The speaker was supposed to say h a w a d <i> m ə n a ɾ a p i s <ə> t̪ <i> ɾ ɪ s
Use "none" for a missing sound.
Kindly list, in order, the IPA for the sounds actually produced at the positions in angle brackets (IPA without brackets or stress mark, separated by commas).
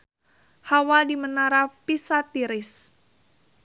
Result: i, a, i